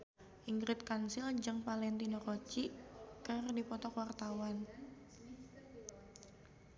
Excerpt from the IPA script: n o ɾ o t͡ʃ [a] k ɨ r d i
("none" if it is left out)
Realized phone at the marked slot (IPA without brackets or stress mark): i